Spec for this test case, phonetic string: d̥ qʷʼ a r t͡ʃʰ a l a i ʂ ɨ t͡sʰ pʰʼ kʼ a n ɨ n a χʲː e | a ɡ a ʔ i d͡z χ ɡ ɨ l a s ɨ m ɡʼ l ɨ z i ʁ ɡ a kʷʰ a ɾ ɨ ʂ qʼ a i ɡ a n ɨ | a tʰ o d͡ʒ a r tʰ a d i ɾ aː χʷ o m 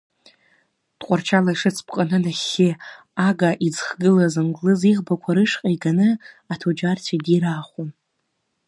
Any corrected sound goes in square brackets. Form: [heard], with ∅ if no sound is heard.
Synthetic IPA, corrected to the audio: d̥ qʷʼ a r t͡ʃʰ a l a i ʂ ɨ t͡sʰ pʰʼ [qʼ] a n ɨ n a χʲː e | a ɡ a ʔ i d͡z χ ɡ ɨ l a [z] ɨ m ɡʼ l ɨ z i ʁ [b] a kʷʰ a ɾ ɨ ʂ qʼ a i ɡ a n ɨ | a tʰ o d͡ʒ a r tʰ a d i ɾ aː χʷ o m